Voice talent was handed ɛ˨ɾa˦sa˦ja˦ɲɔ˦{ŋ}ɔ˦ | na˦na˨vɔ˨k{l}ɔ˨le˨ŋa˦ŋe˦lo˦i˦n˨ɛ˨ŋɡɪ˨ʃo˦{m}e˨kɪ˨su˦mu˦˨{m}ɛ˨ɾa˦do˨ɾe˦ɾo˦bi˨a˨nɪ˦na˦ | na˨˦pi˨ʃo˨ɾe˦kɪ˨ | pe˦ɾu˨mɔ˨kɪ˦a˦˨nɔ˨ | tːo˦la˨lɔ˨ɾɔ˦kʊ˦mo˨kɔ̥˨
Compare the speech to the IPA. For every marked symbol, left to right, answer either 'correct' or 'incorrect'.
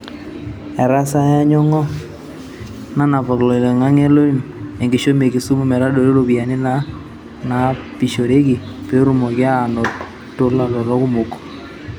correct, correct, correct, correct

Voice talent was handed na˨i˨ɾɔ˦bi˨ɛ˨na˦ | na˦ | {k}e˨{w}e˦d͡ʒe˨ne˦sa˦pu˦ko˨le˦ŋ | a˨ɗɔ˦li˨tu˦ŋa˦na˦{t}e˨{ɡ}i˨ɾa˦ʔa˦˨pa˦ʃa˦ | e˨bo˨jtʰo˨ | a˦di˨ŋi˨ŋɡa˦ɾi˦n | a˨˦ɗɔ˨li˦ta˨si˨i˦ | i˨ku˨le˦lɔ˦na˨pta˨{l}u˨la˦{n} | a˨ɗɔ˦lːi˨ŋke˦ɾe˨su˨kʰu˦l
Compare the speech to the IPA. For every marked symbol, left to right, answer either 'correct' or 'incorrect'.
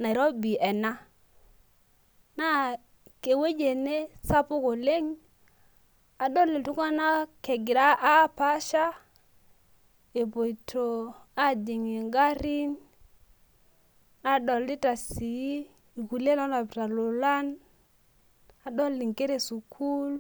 correct, correct, incorrect, correct, correct, correct

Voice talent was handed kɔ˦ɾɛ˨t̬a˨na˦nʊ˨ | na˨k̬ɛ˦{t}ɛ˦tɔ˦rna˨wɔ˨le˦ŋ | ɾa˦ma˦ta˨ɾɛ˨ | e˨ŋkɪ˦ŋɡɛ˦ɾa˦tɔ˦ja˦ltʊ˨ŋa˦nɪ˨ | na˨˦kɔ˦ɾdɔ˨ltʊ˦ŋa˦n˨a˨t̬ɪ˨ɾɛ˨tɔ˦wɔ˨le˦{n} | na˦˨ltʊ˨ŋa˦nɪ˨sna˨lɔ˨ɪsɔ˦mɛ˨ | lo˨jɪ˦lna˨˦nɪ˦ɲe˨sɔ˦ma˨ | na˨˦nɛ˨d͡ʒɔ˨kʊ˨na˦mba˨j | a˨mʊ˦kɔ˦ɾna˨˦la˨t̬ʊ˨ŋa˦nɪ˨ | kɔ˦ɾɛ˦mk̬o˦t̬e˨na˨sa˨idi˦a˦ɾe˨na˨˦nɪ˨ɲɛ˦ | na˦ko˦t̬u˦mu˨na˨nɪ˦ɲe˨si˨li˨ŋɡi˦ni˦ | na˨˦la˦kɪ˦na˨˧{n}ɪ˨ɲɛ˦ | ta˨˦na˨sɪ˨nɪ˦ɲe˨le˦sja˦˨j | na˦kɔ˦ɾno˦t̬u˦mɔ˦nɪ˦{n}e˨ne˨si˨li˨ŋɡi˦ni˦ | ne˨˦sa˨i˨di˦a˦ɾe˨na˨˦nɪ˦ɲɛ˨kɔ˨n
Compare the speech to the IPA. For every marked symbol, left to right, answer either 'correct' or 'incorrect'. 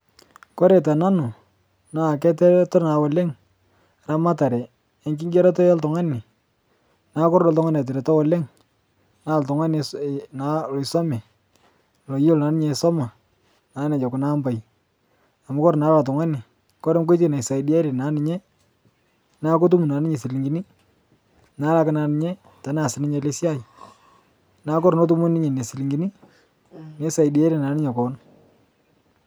correct, incorrect, correct, incorrect

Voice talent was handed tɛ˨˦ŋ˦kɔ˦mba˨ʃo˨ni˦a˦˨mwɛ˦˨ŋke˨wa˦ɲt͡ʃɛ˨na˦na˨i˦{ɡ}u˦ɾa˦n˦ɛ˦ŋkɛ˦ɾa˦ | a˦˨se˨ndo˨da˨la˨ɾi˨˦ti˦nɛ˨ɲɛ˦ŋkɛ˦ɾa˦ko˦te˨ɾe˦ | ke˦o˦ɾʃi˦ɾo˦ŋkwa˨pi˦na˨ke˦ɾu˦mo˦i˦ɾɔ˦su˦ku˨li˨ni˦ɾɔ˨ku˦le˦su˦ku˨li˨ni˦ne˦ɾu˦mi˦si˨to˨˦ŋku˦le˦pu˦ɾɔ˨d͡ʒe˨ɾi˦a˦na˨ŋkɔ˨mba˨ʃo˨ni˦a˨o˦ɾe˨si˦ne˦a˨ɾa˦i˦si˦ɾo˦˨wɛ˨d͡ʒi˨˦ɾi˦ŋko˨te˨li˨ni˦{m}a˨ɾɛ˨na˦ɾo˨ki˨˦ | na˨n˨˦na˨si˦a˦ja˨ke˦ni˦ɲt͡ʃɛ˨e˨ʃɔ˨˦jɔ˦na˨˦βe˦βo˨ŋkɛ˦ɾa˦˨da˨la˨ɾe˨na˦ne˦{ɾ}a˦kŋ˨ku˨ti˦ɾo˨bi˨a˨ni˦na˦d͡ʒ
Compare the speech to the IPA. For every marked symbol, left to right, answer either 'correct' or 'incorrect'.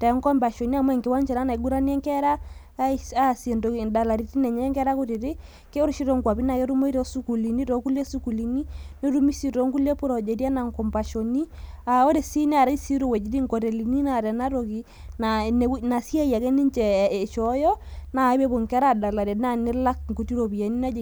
correct, incorrect, incorrect

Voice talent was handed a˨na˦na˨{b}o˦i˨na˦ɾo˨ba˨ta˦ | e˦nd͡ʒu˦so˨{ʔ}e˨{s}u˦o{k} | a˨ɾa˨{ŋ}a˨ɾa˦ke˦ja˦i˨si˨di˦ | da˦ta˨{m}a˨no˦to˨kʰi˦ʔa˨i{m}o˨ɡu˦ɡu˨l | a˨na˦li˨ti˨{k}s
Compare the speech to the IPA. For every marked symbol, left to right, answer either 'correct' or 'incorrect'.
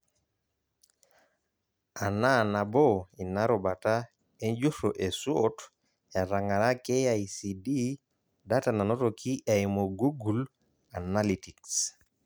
correct, correct, correct, incorrect, correct, incorrect, correct, correct

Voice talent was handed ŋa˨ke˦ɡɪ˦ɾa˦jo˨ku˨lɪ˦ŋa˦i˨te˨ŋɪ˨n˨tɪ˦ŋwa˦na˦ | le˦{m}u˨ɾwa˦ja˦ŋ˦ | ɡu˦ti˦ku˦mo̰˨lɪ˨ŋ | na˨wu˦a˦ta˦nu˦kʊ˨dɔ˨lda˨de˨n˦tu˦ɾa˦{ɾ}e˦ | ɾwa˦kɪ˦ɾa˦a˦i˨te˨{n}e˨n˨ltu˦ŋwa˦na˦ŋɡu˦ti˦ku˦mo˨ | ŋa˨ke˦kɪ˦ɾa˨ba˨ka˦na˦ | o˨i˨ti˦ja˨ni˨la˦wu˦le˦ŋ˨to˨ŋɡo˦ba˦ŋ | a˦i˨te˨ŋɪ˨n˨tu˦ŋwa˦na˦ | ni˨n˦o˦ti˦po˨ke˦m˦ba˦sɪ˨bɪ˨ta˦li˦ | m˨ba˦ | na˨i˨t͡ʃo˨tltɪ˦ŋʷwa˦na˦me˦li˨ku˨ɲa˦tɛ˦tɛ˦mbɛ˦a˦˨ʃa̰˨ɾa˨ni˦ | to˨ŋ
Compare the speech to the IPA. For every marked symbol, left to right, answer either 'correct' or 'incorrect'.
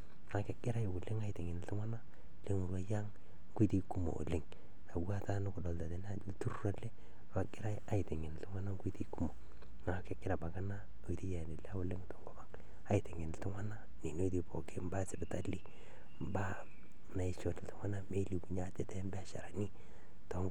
incorrect, incorrect, incorrect

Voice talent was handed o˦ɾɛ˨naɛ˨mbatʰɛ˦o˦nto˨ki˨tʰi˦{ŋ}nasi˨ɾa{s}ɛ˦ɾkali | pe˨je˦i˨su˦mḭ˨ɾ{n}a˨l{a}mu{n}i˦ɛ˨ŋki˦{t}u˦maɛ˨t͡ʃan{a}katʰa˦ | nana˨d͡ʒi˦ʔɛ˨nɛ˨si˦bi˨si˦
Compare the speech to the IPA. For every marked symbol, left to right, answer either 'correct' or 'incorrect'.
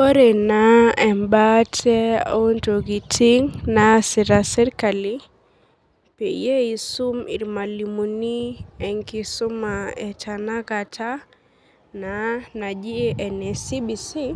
correct, correct, incorrect, incorrect, correct, incorrect, correct

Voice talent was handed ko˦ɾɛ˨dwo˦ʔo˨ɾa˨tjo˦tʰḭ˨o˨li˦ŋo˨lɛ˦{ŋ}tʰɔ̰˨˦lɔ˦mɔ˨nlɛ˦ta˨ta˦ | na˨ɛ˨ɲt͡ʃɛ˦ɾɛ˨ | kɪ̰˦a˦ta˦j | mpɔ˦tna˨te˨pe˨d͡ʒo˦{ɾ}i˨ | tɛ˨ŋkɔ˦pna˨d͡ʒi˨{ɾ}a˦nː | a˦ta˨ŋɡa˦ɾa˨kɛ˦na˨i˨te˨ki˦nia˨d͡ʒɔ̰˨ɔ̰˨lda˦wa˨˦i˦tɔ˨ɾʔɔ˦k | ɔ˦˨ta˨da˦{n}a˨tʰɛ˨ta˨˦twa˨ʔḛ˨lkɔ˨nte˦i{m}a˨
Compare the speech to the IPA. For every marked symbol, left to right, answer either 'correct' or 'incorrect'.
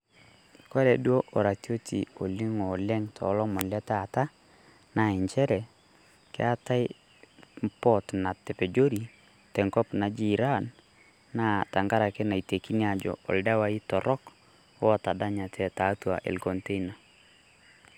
correct, correct, correct, incorrect, incorrect

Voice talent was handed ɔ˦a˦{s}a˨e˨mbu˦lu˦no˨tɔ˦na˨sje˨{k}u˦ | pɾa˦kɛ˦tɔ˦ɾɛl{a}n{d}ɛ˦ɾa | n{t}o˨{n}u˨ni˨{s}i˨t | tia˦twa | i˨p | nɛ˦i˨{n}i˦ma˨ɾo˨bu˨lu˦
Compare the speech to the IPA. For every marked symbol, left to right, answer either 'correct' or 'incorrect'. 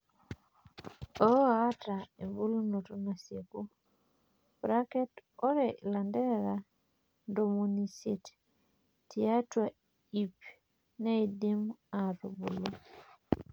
incorrect, correct, correct, correct, incorrect, incorrect, correct, incorrect

